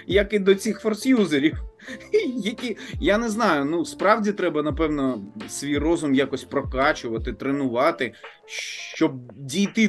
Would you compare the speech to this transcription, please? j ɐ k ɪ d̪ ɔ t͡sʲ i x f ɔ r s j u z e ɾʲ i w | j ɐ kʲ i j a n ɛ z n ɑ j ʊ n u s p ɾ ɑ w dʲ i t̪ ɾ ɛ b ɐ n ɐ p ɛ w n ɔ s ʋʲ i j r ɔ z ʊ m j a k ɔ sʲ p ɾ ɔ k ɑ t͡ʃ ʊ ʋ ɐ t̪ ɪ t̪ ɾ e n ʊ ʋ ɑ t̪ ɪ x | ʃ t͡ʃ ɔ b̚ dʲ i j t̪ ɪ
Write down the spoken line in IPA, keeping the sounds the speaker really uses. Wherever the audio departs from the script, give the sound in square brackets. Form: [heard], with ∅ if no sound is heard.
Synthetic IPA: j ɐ k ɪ d̪ ɔ t͡sʲ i x f ɔ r s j u z e ɾʲ i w | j ɐ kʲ i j a n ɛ z n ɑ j ʊ n u s p ɾ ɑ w dʲ i t̪ ɾ ɛ b ɐ n ɐ p ɛ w n ɔ s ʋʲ i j r ɔ z ʊ m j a k ɔ sʲ p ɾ ɔ k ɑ t͡ʃ ʊ ʋ ɐ t̪ ɪ t̪ ɾ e n ʊ ʋ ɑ t̪ ɪ [∅] | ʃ t͡ʃ ɔ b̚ dʲ i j t̪ ɪ